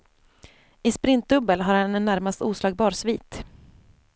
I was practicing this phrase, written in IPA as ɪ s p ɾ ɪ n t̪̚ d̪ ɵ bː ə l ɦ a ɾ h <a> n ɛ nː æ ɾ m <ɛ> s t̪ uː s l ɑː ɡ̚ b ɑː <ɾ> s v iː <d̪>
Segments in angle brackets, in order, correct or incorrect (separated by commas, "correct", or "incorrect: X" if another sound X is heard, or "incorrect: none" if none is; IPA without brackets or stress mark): correct, incorrect: a, correct, incorrect: t̪